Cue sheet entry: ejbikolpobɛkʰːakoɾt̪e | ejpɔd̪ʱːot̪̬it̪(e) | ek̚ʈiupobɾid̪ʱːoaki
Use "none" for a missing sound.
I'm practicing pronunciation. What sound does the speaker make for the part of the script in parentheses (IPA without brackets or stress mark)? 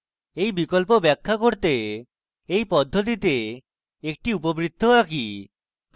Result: e